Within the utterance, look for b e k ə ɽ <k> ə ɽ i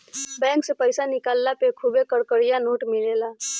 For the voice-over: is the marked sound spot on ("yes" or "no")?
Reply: yes